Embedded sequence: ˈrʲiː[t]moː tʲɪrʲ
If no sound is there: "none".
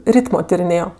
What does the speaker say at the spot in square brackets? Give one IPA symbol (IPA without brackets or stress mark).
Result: t